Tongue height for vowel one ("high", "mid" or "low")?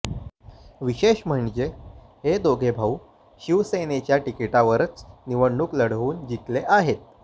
high